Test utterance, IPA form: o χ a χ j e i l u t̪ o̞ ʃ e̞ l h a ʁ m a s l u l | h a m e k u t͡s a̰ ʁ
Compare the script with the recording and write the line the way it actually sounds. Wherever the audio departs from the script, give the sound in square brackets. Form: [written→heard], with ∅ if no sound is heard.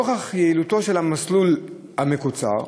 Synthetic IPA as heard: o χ a χ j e i l u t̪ o̞ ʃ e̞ l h a [ʁ→∅] m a s l u l | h a m e k u t͡s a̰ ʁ